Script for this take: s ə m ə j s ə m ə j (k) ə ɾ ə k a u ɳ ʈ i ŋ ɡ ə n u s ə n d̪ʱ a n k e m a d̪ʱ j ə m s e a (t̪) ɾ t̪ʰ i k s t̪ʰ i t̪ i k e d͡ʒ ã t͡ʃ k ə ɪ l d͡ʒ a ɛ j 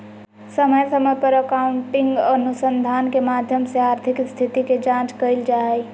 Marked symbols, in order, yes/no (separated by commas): no, no